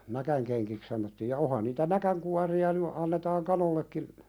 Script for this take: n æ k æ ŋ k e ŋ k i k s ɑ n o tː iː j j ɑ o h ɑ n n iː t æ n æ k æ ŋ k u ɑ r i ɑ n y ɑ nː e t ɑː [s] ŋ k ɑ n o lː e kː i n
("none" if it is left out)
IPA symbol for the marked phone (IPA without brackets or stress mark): none